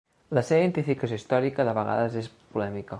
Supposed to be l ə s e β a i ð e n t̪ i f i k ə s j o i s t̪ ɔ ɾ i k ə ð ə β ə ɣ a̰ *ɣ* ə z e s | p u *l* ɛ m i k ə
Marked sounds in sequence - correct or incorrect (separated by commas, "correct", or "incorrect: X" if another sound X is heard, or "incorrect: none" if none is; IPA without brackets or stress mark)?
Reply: incorrect: ð, correct